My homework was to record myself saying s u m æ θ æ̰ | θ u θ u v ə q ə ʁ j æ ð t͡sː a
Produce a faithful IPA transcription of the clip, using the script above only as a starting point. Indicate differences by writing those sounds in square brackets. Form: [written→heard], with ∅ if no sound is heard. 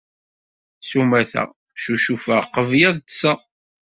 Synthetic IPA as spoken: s u m æ θ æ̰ | [θ→ʃ] u [θ→ʃ] u [v→f] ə q ə [ʁ→v] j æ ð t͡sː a